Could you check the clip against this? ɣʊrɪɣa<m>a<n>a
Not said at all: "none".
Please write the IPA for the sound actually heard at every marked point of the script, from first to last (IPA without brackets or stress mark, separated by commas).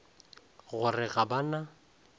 b, n